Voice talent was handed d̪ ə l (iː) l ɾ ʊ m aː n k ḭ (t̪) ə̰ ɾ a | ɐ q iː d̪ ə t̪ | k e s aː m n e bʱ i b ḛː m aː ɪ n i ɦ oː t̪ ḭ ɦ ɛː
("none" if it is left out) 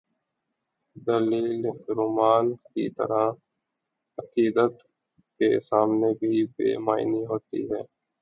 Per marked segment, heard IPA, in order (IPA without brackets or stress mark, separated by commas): iː, t̪